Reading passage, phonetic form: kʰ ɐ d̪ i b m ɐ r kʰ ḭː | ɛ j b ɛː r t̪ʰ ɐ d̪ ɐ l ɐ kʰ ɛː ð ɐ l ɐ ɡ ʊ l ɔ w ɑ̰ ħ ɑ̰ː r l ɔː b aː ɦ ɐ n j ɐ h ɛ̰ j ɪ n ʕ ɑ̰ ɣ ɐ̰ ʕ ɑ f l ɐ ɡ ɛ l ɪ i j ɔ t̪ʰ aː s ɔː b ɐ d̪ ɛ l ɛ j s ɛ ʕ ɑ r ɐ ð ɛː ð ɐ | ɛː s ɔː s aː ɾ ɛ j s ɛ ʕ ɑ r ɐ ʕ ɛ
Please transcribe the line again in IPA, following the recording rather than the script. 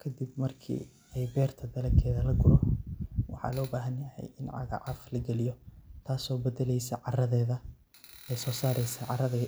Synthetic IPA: kʰ ɐ d̪ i b m ɐ r kʰ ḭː | ɛ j b ɛː r t̪ʰ ɐ d̪ ɐ l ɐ kʰ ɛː ð ɐ l ɐ ɡ ʊ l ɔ w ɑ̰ ħ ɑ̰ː l ɔː b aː ɦ ɐ n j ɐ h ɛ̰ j ɪ n ʕ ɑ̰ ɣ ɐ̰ ʕ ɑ f l ɐ ɡ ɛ l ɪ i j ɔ t̪ʰ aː s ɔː b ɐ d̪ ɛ l ɛ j s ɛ ʕ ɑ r ɐ ð ɛː ð ɐ | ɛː s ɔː s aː ɾ ɛ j s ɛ ʕ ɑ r ɐ ð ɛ

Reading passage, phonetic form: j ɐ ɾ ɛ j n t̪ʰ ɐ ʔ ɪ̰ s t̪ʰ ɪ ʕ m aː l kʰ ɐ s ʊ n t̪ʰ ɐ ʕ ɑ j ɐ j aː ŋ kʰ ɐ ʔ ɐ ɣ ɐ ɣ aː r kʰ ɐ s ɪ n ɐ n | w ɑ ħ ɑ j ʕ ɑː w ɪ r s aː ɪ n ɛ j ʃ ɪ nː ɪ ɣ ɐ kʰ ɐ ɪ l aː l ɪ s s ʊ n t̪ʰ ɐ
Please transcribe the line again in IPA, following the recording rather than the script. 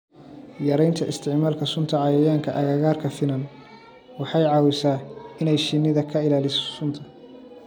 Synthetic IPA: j ɐ ɾ ɛ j n t̪ʰ ɐ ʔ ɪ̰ s t̪ʰ ɪ ʕ m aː l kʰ ɐ s ʊ n t̪ʰ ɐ ʕ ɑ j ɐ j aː ŋ kʰ ɐ ʔ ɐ ɣ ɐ ɣ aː r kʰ ɐ f ɪ n ɐ n | w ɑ ħ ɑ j ʕ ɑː w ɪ s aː ɪ n ɛ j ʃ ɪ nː ɪ ð ɐ kʰ ɐ ɪ l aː l ɪ s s ʊ n t̪ʰ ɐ

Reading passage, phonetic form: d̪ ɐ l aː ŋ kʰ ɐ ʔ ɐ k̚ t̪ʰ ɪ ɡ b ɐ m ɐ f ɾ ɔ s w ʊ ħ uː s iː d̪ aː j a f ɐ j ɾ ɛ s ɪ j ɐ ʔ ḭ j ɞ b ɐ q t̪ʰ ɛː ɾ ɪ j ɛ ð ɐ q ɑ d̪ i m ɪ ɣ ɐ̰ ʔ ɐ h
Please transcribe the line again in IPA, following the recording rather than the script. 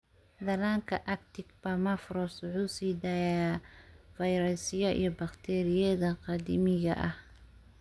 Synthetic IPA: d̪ ɐ l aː ŋ kʰ ɐ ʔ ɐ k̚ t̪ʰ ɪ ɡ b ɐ m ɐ f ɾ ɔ s w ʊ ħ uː s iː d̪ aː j a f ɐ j ɾ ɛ s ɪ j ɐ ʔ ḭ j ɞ b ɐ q t̪ʰ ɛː ɾ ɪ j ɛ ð ɐ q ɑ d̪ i m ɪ ɣ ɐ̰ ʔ ɐ h

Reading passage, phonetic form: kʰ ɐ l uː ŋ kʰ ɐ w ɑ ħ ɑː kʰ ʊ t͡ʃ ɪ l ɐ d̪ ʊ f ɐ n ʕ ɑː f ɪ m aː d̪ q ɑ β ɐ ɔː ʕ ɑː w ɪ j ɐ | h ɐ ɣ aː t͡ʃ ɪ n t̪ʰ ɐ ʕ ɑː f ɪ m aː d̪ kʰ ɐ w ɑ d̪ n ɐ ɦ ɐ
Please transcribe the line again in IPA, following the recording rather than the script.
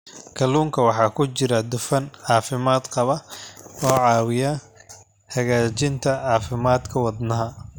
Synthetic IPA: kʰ ɐ l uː ŋ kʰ ɐ w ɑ ħ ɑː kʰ ʊ t͡ʃ ɪ ɾ ɐ d̪ ʊ f ɐ n ʕ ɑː f ɪ m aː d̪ q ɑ β ɐ ɔː ʕ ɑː w ɪ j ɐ | h ɐ ɣ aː t͡ʃ ɪ n t̪ʰ ɐ ʕ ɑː f ɪ m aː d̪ kʰ ɐ w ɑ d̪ n ɐ ɦ ɐ

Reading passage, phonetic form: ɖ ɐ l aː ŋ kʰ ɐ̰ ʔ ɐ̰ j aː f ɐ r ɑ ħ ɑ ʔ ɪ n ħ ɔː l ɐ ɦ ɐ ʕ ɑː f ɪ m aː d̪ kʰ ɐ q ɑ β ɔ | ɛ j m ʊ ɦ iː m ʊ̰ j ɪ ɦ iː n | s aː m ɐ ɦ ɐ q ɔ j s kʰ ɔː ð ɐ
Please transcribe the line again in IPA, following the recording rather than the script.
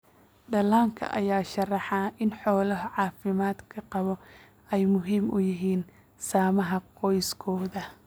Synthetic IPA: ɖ ɐ l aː ŋ kʰ ɐ̰ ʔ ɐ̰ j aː ʃ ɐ r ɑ ħ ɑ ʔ ɪ n ħ ɔː l ɐ ɦ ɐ ʕ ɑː f ɪ m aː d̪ kʰ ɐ q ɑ β ɔ | ɛ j m ʊ ɦ iː m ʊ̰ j ɪ ɦ iː n | s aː m ɐ ɦ ɐ q ɔ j s kʰ ɔː ð ɐ

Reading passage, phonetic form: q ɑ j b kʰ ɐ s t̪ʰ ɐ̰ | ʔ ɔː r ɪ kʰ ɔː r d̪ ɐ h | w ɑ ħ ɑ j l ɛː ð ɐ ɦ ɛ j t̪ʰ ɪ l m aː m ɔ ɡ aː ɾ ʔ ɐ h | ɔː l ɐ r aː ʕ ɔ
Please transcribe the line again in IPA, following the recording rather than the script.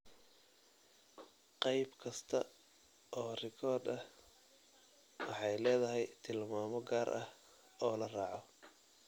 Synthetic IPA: q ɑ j b kʰ ɐ s t̪ʰ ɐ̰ | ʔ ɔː r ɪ kʰ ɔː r d̪ ɐ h | w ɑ ħ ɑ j l ɛː ð ɐ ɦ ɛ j t̪ʰ ɪ l m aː m ɔ ɡ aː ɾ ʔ ɐ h | ɔː l ɐ r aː ʕ ɔ

